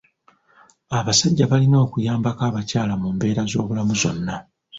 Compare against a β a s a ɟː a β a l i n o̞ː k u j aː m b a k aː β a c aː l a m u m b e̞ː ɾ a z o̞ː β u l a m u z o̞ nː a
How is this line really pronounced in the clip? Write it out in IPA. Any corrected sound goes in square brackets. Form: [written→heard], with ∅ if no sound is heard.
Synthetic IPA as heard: a β a s a ɟː a β a l i n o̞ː k u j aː m b a k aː β a c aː l a m u m b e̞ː ɾ a z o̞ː β u l a m u z o̞ nː a